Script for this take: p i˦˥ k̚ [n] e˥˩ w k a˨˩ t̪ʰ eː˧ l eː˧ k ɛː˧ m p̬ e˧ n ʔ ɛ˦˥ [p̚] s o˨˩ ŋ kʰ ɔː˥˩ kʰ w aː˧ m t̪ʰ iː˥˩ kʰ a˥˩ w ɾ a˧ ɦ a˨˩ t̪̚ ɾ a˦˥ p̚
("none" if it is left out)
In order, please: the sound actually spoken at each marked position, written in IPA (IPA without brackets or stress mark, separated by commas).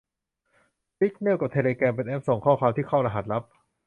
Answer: n, p̚